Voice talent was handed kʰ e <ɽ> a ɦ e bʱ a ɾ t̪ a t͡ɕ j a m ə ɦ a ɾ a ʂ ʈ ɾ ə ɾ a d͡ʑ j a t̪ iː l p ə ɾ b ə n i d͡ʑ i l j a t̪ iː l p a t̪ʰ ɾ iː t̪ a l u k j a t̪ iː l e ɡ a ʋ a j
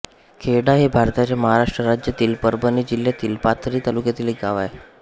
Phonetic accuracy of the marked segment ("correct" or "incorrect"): correct